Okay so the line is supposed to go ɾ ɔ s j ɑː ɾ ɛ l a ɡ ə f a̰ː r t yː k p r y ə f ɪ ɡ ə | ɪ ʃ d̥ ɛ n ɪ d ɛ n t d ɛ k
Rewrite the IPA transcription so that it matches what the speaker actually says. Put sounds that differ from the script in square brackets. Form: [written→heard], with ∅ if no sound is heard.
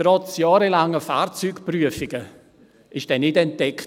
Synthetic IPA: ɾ ɔ [s→t͡s] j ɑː ɾ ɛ l a [ɡ→ŋ] ə f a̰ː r [t→t͡s] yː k p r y ə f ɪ ɡ ə | ɪ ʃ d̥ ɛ n ɪ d ɛ n t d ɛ k